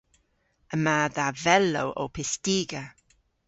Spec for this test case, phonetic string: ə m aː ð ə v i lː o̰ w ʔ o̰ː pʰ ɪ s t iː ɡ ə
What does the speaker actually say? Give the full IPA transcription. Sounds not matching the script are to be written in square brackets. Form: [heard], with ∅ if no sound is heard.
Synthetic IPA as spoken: ə m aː ð [a] v [ɛ] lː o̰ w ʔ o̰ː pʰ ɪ s t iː ɡ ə